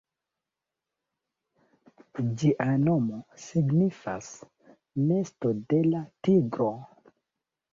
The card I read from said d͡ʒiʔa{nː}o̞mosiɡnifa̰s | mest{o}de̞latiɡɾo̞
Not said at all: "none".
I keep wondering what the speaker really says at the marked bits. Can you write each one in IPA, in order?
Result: n, o

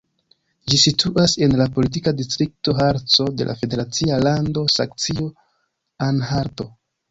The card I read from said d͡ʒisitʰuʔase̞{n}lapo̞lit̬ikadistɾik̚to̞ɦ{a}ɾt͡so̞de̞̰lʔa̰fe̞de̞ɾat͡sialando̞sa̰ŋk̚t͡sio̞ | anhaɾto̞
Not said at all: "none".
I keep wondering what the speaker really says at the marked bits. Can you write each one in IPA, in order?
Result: n, a

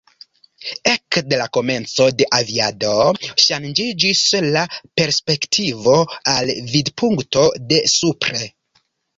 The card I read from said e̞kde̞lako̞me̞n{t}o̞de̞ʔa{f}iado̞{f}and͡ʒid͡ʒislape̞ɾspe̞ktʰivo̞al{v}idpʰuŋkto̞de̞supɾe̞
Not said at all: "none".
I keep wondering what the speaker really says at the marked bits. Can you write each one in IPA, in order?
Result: t͡s, v, ʃ, v

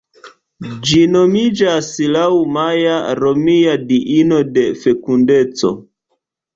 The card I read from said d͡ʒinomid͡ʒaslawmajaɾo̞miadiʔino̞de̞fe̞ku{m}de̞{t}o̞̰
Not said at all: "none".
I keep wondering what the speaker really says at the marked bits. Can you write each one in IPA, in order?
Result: n, t͡s

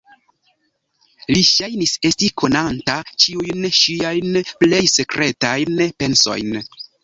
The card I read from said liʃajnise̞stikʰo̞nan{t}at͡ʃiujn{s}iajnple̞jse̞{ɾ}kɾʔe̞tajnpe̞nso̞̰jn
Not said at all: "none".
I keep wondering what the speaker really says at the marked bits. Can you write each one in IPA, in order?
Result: t, ʃ, none

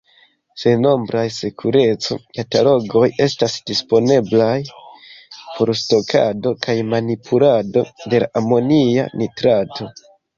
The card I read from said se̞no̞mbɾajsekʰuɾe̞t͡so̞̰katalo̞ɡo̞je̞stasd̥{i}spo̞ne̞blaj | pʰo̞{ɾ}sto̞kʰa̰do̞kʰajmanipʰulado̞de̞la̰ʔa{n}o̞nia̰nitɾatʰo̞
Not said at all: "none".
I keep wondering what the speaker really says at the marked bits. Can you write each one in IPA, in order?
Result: i, ɾ, m

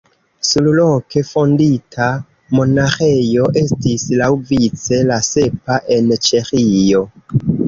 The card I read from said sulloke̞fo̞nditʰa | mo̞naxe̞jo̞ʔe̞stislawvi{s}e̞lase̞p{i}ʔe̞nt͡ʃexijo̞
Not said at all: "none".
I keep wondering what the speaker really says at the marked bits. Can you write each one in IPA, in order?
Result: t͡s, a

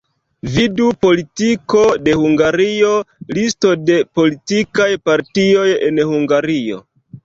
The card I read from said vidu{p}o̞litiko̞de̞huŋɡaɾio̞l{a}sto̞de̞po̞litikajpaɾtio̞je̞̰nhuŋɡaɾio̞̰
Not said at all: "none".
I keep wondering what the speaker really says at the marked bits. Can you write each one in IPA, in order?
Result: p, i

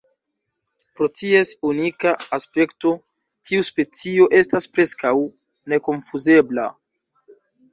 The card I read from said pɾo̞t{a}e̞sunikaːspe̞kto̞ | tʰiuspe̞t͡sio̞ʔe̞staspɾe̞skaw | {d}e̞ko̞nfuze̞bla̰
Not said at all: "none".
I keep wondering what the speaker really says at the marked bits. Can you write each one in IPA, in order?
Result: i, n

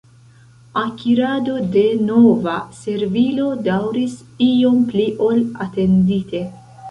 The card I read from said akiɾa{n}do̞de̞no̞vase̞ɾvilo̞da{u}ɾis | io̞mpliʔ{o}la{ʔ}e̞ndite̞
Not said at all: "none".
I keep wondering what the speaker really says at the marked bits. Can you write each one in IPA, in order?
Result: none, w, o, t

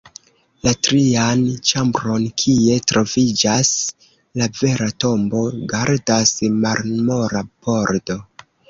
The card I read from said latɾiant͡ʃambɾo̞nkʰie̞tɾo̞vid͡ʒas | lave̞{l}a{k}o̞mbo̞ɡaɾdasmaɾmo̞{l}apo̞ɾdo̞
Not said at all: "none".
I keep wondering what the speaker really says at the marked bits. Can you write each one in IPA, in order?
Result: ɾ, t, ɾ

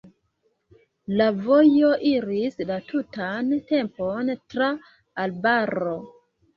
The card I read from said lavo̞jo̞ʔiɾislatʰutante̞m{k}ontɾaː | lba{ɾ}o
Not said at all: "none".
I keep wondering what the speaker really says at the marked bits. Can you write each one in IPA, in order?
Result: p, ɾ

